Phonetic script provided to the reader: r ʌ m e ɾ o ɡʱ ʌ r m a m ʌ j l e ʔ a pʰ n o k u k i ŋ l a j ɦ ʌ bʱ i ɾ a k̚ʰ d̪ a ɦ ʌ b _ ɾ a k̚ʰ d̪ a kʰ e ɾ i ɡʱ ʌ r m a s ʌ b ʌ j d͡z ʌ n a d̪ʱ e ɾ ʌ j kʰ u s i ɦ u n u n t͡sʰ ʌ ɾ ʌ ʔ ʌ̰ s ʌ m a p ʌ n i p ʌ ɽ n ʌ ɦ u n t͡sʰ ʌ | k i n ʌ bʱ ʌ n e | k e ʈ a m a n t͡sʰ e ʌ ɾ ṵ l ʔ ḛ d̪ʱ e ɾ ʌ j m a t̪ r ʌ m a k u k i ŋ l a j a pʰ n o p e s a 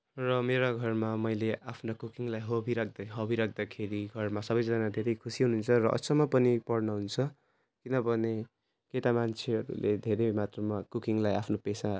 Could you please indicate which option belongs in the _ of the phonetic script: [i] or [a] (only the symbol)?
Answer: i